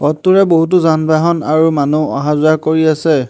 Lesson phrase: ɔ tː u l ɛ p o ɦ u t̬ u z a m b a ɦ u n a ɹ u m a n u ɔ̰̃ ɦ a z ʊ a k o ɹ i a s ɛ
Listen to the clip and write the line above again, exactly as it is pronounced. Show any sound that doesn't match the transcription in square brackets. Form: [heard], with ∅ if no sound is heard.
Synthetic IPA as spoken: ɔ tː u [ɹ] ɛ [b] o ɦ u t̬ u z a [n] b a ɦ [ɔ] n a ɹ u m a n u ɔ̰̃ ɦ a z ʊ a k o ɹ i a s ɛ